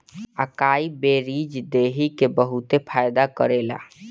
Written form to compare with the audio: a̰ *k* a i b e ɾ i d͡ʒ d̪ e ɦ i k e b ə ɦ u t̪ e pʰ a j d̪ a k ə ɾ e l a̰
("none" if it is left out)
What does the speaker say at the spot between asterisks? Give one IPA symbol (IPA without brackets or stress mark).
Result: k